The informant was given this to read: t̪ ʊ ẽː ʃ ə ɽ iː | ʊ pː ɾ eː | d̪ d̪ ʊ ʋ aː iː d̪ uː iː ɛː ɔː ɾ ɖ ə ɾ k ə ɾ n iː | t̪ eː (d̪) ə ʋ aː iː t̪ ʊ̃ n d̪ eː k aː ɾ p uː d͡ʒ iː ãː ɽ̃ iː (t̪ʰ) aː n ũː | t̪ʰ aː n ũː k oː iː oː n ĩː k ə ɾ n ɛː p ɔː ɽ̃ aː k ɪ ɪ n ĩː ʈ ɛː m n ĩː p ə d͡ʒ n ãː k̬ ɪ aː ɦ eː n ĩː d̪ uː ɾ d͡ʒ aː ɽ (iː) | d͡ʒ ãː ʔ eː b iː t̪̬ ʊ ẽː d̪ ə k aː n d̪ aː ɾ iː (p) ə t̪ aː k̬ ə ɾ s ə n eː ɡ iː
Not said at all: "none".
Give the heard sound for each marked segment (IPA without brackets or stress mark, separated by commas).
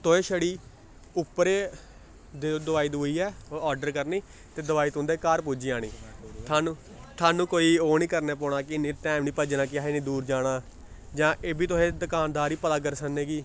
d̪, t̪ʰ, aː, p